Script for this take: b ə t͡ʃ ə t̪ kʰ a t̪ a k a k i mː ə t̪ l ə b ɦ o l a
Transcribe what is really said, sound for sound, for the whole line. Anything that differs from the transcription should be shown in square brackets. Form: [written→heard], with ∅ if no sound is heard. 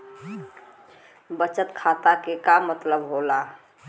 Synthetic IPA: b ə t͡ʃ ə t̪ kʰ a t̪ a k [a→e] k [i→a] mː ə t̪ l ə b ɦ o l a